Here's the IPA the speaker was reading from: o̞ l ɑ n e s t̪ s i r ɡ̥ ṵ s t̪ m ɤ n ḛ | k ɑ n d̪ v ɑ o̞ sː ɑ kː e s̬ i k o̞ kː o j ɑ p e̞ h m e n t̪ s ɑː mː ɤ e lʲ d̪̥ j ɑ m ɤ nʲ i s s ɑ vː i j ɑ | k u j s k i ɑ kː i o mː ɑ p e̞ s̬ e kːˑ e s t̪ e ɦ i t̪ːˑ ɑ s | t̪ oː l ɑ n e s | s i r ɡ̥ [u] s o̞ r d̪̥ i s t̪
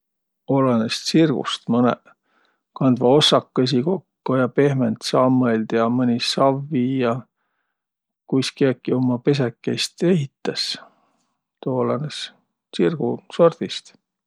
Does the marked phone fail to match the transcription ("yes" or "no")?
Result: no